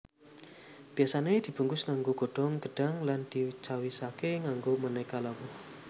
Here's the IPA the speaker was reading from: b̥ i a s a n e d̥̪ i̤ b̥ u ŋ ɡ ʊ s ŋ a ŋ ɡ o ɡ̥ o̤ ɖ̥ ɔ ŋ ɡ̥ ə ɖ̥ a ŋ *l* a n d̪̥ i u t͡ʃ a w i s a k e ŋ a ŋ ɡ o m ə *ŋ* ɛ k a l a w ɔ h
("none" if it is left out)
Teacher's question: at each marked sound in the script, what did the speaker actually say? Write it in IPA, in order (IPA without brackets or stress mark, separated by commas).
l, n